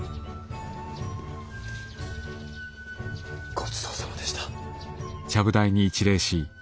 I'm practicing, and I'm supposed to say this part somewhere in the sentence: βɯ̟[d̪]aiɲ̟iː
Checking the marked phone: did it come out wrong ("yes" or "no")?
no